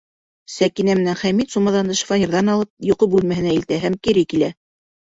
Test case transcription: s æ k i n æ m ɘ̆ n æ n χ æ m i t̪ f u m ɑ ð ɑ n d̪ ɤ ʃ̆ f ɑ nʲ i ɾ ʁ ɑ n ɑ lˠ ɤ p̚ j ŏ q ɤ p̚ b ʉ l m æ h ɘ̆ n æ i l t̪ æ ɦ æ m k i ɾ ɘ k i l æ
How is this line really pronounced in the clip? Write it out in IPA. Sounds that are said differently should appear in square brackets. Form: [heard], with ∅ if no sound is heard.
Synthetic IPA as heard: s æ k i n æ m ɘ̆ n æ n χ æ m i t̪ [s] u m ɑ ð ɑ n d̪ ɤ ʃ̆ f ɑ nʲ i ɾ [ð] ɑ n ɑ lˠ ɤ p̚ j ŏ q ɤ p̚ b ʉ l m æ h ɘ̆ n æ i l t̪ æ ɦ æ m k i ɾ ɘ k i l æ

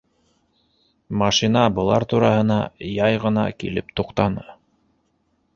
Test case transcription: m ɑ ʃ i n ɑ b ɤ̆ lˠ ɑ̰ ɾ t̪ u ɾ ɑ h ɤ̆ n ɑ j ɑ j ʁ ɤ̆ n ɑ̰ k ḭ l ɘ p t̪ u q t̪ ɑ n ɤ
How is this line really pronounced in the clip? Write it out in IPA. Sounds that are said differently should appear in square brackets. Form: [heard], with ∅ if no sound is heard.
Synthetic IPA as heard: m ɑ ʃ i n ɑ b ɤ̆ lˠ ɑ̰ ɾ t̪ u ɾ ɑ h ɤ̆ n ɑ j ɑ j ʁ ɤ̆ n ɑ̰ k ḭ l ɘ p t̪ u q t̪ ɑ n ɤ

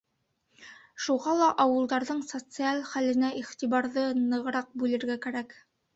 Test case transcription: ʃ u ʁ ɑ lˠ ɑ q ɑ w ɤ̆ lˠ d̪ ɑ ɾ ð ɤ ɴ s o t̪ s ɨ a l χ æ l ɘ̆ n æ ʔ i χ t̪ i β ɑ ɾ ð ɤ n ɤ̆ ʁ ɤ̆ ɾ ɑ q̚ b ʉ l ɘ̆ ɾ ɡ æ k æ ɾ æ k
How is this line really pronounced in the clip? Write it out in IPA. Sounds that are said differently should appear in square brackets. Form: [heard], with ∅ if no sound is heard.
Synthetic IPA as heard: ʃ u ʁ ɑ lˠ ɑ [ʔ] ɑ w ɤ̆ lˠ d̪ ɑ ɾ ð ɤ ɴ s o t̪ s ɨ a l χ æ l ɘ̆ n æ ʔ i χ t̪ i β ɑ ɾ ð ɤ n ɤ̆ ʁ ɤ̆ ɾ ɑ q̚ b ʉ l ɘ̆ ɾ ɡ æ k æ ɾ æ k

